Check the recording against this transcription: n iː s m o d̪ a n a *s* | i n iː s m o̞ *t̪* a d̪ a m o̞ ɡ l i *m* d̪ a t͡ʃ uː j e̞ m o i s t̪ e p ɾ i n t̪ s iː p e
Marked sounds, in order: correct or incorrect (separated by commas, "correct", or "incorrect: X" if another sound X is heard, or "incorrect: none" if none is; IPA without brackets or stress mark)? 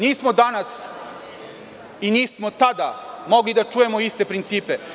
correct, correct, incorrect: none